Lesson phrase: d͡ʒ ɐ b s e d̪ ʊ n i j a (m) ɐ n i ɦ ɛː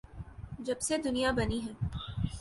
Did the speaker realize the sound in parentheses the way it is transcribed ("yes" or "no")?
no